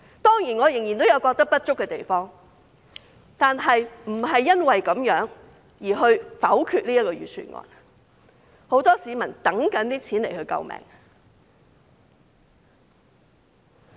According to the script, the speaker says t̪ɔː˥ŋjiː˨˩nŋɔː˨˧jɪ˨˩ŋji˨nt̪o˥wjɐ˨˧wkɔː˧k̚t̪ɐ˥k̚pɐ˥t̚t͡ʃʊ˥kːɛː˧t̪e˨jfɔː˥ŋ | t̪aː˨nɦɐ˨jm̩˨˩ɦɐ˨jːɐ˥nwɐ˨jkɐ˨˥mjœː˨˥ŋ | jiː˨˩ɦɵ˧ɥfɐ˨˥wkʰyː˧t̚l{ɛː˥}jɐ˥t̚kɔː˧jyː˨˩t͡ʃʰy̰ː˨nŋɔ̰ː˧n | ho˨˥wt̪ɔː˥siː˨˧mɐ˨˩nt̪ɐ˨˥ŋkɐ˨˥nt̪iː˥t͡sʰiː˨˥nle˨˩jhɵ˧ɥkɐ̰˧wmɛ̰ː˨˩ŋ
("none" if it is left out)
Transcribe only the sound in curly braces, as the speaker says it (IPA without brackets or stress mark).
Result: iː˥